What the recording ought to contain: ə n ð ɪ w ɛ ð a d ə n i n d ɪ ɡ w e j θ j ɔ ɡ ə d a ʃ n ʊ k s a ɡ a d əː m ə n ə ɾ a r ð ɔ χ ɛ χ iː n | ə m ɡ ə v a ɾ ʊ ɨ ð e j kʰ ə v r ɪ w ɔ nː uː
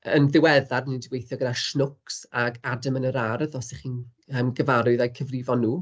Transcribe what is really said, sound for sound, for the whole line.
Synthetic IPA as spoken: ə n ð ɪ w ɛ ð a d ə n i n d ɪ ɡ w e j θ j ɔ ɡ ə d a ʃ n ʊ k s a ɡ a d ə m ə n ə ɾ a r ð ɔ s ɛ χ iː n | ə m ɡ ə v a ɾ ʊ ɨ ð a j kʰ ə v r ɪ v ɔ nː uː